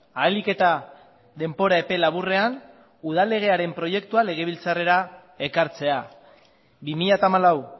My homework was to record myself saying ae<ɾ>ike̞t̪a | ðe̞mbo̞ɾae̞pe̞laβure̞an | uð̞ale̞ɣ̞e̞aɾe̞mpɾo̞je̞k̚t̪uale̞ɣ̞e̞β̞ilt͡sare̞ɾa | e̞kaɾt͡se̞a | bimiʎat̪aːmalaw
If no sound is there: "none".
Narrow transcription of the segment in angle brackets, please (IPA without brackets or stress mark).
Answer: l